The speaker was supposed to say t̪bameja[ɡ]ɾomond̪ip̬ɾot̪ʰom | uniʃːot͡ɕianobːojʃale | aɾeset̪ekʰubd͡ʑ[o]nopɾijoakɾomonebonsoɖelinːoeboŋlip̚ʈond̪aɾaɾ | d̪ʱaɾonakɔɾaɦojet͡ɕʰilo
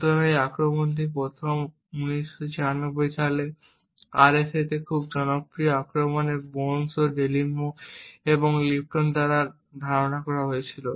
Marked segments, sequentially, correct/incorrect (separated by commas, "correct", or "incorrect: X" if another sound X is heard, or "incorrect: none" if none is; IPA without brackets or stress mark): incorrect: k, incorrect: ɔ